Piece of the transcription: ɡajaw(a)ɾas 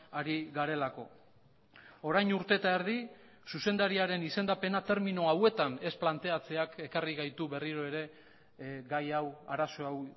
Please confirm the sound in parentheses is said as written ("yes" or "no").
yes